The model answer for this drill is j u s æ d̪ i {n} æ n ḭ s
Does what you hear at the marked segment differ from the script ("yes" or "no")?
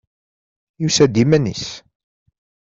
yes